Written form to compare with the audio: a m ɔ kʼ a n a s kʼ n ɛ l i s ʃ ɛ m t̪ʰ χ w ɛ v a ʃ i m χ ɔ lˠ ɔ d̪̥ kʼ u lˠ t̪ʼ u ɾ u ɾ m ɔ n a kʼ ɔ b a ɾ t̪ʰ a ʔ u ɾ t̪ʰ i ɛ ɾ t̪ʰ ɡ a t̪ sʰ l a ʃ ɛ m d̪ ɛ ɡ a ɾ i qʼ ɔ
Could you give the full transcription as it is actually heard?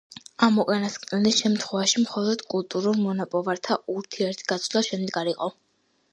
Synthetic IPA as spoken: a m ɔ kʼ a n a s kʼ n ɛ l i s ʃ ɛ m t̪ʰ χ w ɛ v a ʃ i m χ ɔ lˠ ɔ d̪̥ kʼ u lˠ t̪ʼ u ɾ u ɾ m ɔ n a pʼ ɔ v a ɾ t̪ʰ a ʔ u ɾ t̪ʰ i ɛ ɾ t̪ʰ ɡ a t̪ sʰ l a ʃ ɛ m d̪ ɛ ɡ a ɾ i qʼ ɔ